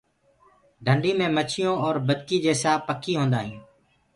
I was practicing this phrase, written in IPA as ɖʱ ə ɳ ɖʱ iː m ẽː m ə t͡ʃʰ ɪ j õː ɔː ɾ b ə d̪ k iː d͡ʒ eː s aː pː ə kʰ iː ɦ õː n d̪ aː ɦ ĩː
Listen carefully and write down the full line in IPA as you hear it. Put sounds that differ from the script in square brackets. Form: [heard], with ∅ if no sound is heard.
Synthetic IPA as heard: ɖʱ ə ɳ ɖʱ iː m ẽː m ə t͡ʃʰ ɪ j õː ɔː ɾ b ə d̪ k iː d͡ʒ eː s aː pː ə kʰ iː ɦ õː n d̪ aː ɦ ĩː